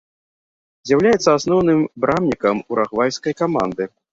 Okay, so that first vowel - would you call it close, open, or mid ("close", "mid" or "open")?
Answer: open